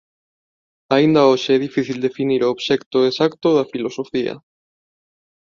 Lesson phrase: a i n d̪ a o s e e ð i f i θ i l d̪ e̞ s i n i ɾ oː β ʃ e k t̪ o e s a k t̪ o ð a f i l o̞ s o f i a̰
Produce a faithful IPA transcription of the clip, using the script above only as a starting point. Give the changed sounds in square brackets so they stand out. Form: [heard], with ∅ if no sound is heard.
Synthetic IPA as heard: a i n d̪ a o [ʃ] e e ð i f i θ i l d̪ e̞ [f] i n i ɾ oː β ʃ e k t̪ o e s a k t̪ o ð a f i l o̞ s o f i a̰